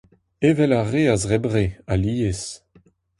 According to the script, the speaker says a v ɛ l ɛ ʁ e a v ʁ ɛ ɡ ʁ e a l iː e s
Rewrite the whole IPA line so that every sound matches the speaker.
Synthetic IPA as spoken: e v ɛ l a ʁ e a z ʁ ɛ b ʁ e a l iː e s